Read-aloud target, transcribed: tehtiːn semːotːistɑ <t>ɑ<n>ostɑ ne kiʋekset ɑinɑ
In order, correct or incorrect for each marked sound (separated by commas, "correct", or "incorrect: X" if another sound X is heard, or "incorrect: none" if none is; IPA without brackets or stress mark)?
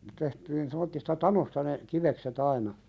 correct, correct